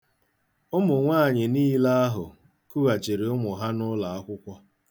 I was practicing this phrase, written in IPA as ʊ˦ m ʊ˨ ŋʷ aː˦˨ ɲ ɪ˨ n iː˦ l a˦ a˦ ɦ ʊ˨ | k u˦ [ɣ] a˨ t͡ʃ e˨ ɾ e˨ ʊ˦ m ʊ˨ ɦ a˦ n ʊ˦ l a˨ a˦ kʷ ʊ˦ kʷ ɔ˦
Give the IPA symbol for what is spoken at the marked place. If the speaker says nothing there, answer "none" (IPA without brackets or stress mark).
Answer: ɣ